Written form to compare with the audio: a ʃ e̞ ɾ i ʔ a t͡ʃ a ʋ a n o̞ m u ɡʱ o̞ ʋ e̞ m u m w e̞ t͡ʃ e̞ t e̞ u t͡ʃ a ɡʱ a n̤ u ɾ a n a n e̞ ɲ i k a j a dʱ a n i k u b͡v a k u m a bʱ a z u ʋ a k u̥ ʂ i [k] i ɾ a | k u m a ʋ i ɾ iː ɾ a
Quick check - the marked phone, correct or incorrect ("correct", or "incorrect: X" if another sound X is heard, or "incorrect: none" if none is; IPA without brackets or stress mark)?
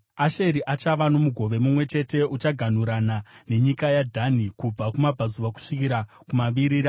correct